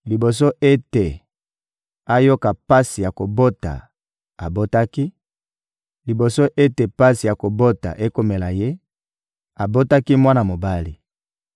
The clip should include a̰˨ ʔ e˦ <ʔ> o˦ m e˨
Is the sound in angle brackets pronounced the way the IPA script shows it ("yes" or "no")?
no